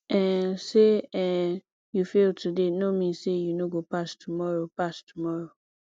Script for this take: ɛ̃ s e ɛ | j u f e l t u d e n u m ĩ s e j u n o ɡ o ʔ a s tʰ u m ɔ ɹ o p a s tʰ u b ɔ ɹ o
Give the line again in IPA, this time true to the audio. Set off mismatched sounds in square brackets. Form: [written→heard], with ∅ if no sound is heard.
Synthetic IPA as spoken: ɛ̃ s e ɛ | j u f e l t u d e n [u→o] m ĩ s e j u n o ɡ o [ʔ→p] a s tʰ u m ɔ ɹ o p a s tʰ u [b→m] ɔ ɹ o